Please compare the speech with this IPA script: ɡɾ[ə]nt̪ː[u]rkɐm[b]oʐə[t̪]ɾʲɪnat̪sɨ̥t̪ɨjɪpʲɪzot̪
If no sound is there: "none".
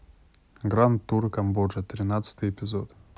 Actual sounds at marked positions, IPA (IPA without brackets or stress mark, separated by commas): a, u, b, t̪